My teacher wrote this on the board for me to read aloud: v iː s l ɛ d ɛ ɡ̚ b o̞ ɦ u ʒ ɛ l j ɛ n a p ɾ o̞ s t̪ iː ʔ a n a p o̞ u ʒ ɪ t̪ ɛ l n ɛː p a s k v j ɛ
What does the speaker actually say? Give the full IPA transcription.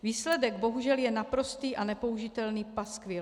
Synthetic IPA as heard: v iː s l ɛ d ɛ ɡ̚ b o̞ ɦ u ʒ ɛ l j ɛ n a p ɾ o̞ s t̪ iː ʔ a n ɛ p o̞ u ʒ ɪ t̪ ɛ l n iː p a s k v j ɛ